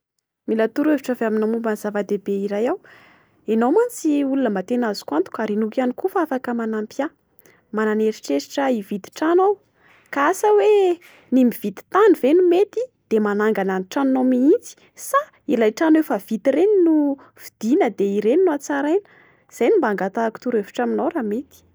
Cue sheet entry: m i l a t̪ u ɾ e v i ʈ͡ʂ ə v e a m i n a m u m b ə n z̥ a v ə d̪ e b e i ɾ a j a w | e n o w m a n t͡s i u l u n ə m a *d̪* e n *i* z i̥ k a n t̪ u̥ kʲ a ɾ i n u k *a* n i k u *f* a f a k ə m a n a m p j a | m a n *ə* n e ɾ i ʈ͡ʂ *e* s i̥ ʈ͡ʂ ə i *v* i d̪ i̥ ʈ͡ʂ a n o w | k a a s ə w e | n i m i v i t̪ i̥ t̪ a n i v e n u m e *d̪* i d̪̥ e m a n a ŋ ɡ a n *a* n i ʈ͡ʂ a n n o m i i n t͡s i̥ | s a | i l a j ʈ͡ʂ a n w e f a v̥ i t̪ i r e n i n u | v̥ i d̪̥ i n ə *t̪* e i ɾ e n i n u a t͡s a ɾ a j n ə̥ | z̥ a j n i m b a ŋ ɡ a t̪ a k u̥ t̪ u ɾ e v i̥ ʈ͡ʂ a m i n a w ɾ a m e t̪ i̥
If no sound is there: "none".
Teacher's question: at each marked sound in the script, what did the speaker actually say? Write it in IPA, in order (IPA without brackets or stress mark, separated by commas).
t̪, a, a, f, a, e, v, t̪, a, d̪